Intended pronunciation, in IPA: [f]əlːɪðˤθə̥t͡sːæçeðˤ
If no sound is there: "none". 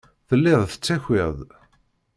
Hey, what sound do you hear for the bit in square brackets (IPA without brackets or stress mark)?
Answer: θ